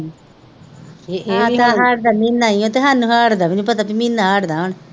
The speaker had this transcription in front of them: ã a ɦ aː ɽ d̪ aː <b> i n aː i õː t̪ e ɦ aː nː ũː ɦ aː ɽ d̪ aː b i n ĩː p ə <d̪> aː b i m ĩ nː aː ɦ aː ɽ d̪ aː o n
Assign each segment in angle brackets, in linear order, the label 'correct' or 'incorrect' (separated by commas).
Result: incorrect, incorrect